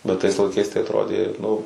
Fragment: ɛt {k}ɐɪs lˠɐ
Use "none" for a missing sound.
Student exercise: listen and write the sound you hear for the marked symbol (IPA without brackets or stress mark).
t